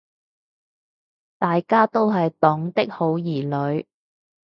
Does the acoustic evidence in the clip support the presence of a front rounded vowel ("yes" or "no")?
no